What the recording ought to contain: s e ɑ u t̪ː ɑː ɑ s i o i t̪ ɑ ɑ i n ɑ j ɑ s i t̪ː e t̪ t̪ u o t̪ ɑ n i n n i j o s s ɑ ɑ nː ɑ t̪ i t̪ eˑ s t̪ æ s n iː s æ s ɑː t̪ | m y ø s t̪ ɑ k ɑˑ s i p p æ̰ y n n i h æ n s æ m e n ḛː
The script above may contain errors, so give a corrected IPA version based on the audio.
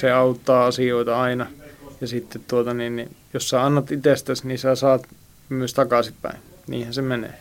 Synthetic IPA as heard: s e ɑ u t̪ː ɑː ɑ s i o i t̪ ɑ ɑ i n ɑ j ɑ s i t̪ː e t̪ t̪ u o t̪ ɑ n i n n i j o s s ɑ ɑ nː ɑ t̪ i t̪ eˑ s t̪ æ s n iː s æ s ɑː t̪ | m y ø s t̪ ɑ k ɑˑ s i p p æ̰ i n n iː h æ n s e m e n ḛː